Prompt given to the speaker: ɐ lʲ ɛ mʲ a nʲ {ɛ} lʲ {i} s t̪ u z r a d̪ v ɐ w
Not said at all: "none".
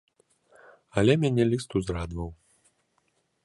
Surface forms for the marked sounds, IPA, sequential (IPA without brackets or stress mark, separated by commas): ɛ, i